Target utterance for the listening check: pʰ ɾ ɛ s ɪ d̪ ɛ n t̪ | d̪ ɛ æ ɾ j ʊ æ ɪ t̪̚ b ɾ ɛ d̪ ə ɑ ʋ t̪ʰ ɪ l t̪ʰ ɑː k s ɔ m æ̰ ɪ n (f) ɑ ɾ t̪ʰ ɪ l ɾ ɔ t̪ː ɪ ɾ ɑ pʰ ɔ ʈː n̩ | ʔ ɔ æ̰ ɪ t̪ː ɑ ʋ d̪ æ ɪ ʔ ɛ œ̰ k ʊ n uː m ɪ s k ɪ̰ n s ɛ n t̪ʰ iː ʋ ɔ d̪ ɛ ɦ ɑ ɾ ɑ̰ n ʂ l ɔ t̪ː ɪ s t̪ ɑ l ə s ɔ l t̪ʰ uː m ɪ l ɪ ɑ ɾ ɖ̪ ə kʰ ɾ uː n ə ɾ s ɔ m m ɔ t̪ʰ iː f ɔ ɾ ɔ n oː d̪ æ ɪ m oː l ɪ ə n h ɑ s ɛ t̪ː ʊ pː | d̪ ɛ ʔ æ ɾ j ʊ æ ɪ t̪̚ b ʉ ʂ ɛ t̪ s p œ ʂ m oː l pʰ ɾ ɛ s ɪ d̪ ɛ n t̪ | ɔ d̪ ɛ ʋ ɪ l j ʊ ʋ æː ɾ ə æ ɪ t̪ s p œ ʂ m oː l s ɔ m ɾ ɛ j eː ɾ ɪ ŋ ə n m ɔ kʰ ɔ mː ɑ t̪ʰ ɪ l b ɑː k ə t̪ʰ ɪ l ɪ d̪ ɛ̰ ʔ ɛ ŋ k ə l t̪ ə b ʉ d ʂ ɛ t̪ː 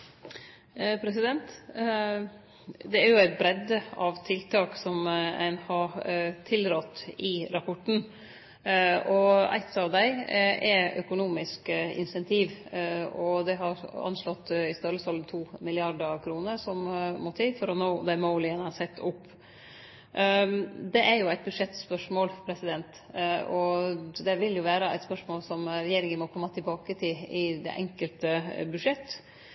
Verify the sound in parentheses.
incorrect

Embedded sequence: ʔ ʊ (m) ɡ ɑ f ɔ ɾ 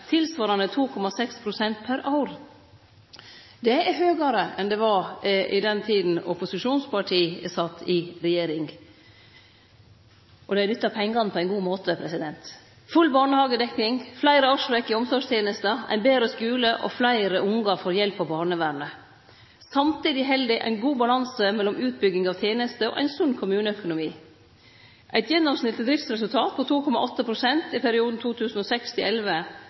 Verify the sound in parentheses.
incorrect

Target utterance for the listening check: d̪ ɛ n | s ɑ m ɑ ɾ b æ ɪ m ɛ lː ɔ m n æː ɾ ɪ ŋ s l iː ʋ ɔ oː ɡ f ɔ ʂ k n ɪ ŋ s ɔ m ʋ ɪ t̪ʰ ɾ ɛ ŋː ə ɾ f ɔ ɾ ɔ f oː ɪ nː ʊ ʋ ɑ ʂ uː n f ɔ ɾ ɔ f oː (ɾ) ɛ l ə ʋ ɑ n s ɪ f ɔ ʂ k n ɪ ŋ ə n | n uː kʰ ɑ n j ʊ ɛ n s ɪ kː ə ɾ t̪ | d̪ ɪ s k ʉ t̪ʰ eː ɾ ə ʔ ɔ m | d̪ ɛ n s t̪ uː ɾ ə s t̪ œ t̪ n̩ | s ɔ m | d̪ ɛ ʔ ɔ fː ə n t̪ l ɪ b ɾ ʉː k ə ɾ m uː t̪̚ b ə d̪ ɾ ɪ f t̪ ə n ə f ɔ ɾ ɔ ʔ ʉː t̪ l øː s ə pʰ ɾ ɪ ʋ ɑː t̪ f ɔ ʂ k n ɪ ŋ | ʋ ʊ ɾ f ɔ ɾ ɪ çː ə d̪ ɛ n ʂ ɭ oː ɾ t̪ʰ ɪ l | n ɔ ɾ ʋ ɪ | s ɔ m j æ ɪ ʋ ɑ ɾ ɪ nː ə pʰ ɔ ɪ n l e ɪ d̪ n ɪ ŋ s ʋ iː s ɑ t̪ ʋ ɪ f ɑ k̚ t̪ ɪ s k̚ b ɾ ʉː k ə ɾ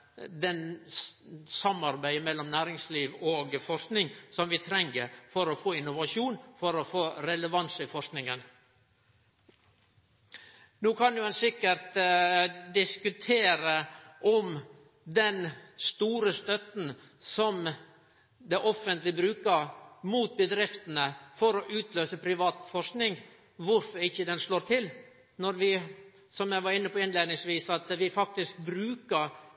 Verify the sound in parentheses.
correct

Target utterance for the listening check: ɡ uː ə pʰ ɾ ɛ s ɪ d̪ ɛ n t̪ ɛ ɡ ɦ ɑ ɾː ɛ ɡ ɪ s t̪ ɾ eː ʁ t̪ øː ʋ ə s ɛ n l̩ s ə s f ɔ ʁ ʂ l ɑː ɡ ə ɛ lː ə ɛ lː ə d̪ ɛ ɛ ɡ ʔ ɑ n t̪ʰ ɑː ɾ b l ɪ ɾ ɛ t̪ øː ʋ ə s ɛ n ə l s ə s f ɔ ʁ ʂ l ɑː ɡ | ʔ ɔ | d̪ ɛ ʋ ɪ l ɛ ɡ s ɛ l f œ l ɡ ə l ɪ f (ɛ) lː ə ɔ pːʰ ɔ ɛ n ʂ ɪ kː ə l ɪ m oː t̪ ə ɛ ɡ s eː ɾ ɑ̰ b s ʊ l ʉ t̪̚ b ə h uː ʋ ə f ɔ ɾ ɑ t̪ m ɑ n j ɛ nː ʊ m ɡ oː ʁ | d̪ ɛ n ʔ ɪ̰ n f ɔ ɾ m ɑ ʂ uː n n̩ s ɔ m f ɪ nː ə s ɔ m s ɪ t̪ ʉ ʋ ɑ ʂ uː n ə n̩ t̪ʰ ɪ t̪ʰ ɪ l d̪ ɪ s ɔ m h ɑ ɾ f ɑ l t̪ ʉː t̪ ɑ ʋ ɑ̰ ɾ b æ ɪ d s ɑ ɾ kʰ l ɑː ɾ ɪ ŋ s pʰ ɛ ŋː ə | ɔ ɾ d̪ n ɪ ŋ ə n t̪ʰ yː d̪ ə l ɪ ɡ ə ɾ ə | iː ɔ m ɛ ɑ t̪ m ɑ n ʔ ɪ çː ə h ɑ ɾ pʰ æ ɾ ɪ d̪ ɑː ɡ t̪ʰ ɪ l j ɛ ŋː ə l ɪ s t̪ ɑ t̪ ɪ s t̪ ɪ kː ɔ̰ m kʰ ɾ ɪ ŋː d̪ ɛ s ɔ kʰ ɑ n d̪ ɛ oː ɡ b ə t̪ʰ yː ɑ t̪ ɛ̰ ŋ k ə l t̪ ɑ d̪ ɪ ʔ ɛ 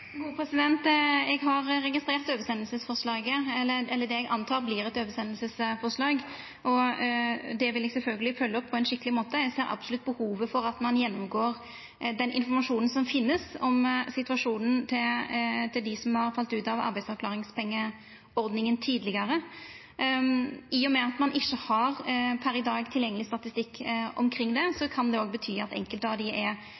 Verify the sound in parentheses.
incorrect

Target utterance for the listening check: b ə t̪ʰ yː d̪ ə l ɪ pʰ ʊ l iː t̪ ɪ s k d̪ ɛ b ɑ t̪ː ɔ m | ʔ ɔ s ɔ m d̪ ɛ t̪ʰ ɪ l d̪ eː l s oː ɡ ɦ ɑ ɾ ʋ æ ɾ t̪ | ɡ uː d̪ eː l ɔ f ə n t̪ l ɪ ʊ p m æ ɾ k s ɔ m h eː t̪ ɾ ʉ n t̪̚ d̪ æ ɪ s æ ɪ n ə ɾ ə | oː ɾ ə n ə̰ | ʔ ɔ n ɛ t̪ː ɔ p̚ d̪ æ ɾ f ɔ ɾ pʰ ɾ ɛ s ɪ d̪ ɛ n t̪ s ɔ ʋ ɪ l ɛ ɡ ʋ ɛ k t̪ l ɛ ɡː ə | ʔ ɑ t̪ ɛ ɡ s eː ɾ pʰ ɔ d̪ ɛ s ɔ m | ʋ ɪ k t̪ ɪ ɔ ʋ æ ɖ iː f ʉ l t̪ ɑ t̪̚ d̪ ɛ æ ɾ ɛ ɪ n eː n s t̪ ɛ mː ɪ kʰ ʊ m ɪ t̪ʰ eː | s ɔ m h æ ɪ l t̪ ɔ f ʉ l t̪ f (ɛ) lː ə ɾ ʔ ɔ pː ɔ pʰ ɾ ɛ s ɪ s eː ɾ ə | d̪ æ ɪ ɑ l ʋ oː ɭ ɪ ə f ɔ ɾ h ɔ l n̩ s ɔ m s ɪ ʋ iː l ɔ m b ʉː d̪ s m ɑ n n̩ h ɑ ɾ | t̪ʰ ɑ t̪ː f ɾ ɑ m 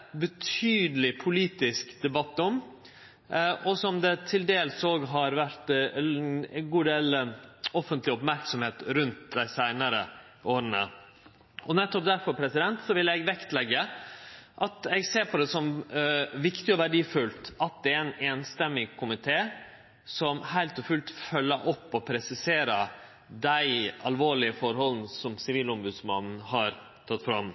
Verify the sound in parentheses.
incorrect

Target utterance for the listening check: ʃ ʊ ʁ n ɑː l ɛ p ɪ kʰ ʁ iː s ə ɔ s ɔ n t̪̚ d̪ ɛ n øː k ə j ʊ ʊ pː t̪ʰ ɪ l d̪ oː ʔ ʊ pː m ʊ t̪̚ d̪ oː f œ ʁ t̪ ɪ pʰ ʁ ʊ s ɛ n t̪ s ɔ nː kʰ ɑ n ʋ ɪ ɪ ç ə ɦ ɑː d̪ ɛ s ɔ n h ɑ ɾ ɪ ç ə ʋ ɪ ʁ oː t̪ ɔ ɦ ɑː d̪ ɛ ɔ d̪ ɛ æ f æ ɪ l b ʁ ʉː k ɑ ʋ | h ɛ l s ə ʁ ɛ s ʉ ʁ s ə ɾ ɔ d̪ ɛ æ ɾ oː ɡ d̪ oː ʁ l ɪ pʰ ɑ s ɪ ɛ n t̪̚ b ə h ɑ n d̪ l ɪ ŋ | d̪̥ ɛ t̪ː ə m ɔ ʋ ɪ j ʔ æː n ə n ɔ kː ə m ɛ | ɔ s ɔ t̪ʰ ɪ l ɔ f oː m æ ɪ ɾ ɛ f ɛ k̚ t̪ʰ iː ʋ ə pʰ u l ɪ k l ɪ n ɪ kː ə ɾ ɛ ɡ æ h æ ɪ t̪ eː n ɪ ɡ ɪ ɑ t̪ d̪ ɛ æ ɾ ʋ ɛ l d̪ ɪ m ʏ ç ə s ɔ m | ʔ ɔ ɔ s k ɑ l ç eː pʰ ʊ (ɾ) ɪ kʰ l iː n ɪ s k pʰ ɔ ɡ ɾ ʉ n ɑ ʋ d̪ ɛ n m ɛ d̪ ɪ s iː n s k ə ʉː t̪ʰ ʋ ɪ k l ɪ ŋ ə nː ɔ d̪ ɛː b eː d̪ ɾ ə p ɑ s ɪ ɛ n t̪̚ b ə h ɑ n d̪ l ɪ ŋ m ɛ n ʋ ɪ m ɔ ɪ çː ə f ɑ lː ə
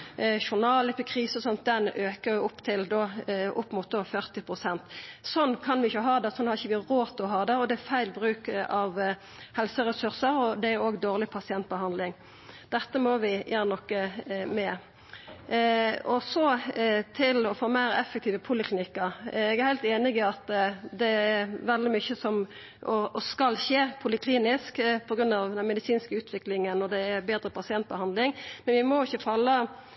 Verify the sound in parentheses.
incorrect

